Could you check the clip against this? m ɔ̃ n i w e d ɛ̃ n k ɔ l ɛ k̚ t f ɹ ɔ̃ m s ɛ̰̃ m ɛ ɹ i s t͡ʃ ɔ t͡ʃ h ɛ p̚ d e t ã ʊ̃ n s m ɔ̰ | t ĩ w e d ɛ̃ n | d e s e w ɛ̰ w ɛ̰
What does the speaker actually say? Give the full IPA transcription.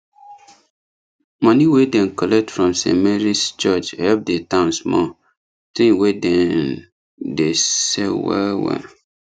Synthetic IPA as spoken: m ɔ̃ n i w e d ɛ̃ n k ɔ l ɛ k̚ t f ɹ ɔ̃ m s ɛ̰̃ m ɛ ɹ i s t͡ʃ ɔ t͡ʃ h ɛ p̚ d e t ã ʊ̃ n s m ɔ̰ | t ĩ w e d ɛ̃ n | d e s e w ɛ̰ w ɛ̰

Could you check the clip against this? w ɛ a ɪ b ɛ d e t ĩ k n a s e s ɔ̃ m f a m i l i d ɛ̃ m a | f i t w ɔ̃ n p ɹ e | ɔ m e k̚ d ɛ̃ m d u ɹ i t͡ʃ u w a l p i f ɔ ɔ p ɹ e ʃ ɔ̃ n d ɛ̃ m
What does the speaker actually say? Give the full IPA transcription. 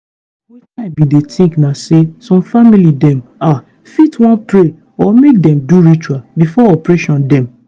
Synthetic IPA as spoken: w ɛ a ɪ b i d e t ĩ k n a s e s ɔ̃ m f a m i l i d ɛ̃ m a | f i t w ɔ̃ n p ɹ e | ɔ m e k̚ d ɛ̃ m d u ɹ i t͡ʃ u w a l b i f ɔ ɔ p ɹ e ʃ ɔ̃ n d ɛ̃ m

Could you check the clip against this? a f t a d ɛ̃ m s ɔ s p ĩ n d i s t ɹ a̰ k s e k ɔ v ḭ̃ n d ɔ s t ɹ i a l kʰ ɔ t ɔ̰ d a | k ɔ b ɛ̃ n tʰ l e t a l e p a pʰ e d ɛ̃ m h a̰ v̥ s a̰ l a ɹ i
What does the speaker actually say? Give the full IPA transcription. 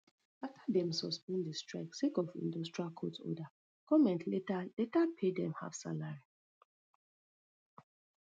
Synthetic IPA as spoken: a f t a d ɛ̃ m s ɔ s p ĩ n d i s t ɹ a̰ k s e k ɔ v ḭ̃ n d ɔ s t ɹ i a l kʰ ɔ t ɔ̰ d a | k ɔ m ɛ̃ n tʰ l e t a l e t a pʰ e d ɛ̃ m h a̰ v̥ s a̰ l a ɹ i

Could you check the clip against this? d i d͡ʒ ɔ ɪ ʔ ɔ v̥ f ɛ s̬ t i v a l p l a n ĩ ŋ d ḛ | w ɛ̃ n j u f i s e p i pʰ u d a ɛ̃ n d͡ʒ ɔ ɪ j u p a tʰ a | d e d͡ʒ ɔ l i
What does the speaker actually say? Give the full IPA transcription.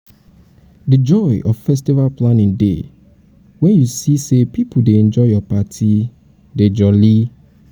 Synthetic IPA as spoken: d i d͡ʒ ɔ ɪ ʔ ɔ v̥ f ɛ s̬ t i v a l p l a n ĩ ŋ d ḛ | w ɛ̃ n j u s i s e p i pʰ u d e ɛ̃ n d͡ʒ ɔ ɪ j ɔ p a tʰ i | d e d͡ʒ ɔ l i

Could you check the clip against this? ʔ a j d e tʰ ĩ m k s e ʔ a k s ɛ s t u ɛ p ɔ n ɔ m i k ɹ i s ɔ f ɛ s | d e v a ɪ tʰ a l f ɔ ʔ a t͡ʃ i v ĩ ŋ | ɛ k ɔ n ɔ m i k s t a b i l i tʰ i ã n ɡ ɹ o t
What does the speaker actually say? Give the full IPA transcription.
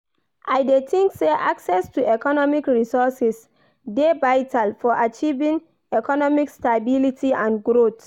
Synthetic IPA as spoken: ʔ a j d e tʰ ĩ ŋ k s e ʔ a k s ɛ s t u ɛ k ɔ n ɔ m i k ɹ i s ɔ s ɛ s | d e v a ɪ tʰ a l f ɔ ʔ a t͡ʃ i v ĩ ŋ | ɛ k ɔ n ɔ m i k s t a b i l i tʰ i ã n ɡ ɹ o t

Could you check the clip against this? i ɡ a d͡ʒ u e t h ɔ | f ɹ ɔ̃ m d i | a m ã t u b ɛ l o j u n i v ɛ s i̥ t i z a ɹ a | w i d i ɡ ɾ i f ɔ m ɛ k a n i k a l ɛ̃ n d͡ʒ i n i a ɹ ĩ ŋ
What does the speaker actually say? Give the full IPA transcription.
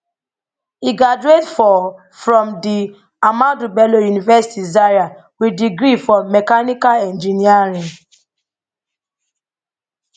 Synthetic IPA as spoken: i ɡ a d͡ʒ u e t f ɔ | f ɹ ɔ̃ m d i | a m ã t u b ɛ l o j u n i v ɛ s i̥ t i z a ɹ a | w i d i ɡ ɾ i f ɔ m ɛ k a n i k a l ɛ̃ n d͡ʒ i n i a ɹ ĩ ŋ

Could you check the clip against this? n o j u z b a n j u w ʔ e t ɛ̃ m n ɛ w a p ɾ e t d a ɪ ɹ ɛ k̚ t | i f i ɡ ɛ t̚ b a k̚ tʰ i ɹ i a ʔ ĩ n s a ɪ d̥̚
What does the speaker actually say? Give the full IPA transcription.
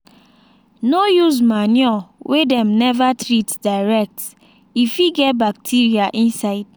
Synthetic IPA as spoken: n o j u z m a n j ɔ w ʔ e d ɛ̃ m n ɛ v a t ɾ i t d a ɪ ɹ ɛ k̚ t | i f i ɡ ɛ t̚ b a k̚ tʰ i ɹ i a ʔ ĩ n s a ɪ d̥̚

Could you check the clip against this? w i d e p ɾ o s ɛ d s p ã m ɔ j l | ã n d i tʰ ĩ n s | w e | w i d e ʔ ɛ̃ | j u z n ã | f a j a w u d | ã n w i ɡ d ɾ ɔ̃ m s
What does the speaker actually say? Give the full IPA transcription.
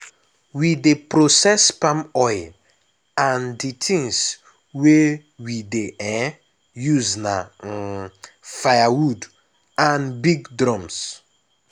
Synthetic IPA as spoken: w i d e p ɾ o s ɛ s p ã m ɔ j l | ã n d i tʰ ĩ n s | w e | w i d e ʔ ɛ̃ | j u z n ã | f a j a w u d | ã n b i ɡ d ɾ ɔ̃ m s

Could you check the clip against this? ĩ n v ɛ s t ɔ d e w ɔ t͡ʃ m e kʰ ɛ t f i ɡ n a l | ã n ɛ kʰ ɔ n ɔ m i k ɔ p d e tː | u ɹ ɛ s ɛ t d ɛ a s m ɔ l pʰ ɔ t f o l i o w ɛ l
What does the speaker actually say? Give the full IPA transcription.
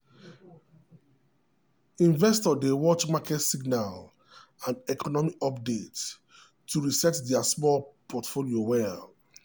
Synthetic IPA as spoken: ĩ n v ɛ s t ɔ d e w ɔ t͡ʃ m a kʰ ɛ t s i ɡ n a l | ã n ɛ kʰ ɔ n ɔ m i k ɔ p d e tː | u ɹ i s ɛ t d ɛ a s m ɔ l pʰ ɔ t f o l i o w ɛ l

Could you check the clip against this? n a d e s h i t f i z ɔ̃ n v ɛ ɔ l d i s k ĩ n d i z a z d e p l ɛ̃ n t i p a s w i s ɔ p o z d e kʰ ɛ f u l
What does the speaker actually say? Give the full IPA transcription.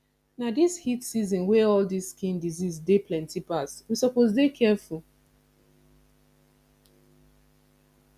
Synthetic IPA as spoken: n a d i s h i t s i z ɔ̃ n w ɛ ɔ l d i s k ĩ n d i z i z d e p l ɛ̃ n t i p a s w i s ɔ p o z d e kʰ ɛ f u l

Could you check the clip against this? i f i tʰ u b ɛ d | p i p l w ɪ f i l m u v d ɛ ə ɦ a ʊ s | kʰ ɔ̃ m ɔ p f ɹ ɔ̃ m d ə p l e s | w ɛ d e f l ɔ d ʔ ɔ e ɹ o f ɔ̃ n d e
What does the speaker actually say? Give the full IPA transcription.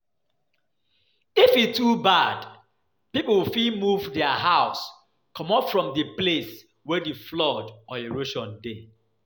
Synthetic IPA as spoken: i f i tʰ u b a d | p i p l w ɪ f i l m u v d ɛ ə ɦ a ʊ s | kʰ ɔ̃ m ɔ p f ɹ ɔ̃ m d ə p l e s | w ɛ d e f l ɔ d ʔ ɔ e ɹ o ʃ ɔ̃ n d e

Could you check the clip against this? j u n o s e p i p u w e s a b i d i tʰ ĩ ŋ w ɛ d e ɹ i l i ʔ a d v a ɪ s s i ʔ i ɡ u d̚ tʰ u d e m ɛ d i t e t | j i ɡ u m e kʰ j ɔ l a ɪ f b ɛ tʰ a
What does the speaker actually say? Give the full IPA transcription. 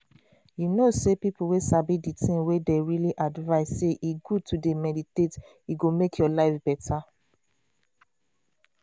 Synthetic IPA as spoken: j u n o s e p i p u w e s a b i d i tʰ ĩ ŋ w e d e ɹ i l i ʔ a d v a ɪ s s e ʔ i ɡ u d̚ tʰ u d e m ɛ d i t e t | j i ɡ o m e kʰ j ɔ l a ɪ f b ɛ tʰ a

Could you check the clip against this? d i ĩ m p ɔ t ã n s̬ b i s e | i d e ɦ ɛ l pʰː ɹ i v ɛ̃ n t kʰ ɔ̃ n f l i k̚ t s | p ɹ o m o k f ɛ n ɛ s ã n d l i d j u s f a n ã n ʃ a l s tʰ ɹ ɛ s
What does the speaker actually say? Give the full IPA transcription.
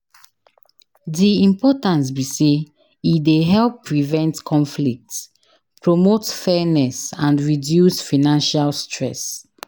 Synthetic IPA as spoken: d i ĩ m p ɔ t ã n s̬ b i s e | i d e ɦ ɛ l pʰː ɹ i v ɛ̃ n t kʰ ɔ̃ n f l i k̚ t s | p ɹ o m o t f ɛ n ɛ s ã n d ɹ i d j u s f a n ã n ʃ a l s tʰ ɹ ɛ s

